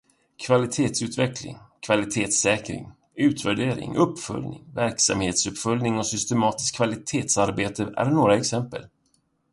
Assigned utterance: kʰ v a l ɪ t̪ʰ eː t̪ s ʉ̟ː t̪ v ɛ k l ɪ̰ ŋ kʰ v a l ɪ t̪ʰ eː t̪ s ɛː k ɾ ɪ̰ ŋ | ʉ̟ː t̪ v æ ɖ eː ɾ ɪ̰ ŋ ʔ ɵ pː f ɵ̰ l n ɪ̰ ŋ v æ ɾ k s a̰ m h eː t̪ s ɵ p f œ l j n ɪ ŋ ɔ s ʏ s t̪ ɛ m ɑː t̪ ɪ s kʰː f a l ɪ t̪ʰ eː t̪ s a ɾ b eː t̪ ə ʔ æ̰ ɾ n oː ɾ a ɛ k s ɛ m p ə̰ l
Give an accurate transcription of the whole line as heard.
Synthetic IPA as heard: kʰ v a l ɪ t̪ʰ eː t̪ s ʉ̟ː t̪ v ɛ k l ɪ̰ ŋ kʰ v a l ɪ t̪ʰ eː t̪ s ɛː k ɾ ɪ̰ ŋ | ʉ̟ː t̪ v æ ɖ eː ɾ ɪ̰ ŋ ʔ ɵ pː f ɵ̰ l n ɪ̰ ŋ v æ ɾ k s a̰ m h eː t̪ s ɵ p f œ l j n ɪ ŋ ɔ s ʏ s t̪ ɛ m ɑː t̪ ɪ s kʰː v a l ɪ t̪ʰ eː t̪ s a ɾ b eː t̪ ə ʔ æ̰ ɾ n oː ɾ a ɛ k s ɛ m p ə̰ l